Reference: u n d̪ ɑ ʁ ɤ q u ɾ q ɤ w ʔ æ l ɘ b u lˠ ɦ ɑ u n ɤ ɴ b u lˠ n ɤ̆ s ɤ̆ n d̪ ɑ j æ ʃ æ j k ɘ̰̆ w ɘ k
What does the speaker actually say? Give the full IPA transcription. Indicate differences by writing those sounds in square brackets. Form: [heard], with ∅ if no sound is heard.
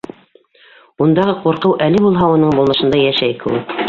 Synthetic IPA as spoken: u n d̪ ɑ ʁ ɤ q u ɾ q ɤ w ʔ æ l ɘ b u lˠ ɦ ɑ u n ɤ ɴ b u lˠ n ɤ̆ [ʃ] ɤ̆ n d̪ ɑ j æ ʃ æ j k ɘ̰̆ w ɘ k